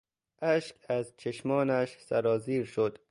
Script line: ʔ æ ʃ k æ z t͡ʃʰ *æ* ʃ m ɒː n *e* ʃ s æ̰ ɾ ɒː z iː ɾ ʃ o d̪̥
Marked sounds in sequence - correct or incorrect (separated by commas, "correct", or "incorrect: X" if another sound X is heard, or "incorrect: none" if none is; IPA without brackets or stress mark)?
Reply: incorrect: e, incorrect: æ